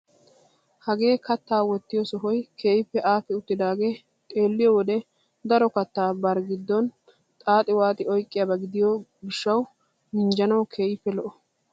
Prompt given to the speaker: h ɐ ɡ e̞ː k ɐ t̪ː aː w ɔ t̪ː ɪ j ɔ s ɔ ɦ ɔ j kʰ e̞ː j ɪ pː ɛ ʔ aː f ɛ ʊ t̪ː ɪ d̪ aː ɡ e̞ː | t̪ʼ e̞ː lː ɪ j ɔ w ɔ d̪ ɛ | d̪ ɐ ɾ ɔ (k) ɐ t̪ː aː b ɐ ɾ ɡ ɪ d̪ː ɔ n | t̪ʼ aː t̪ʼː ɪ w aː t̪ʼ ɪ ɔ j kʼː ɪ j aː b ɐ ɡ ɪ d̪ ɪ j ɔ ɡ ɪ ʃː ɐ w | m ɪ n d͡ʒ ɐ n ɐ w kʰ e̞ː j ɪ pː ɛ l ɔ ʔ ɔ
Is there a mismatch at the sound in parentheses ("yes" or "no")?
no